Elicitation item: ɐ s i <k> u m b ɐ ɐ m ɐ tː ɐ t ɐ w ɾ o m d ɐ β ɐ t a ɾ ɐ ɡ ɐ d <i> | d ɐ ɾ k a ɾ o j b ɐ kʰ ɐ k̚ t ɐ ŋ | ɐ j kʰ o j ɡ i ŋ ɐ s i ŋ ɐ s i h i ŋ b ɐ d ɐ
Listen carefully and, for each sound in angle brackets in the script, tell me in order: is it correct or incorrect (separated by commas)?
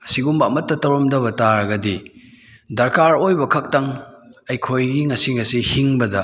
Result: incorrect, correct